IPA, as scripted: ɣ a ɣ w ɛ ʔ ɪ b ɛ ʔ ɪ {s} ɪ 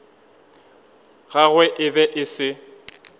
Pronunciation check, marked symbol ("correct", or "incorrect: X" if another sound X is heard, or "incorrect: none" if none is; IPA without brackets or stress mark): correct